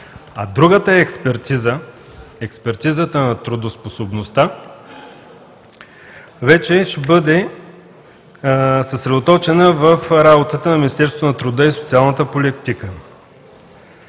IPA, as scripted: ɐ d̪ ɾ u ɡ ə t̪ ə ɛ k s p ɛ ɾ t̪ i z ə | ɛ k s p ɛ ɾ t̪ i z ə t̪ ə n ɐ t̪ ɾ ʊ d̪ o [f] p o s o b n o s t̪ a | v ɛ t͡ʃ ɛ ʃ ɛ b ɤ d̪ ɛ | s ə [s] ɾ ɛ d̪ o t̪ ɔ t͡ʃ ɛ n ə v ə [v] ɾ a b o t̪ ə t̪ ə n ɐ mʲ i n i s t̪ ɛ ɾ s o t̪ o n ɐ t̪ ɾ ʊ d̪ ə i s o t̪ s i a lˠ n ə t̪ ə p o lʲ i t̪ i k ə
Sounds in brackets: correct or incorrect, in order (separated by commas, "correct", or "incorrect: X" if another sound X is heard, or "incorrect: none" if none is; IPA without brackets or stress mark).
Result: incorrect: s, correct, incorrect: f